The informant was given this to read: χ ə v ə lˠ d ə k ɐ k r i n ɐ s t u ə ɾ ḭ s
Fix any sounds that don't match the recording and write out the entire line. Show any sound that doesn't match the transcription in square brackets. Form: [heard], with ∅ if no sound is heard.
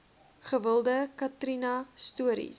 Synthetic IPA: χ ə v ə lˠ d ə k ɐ [t] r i n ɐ s t u ə ɾ ḭ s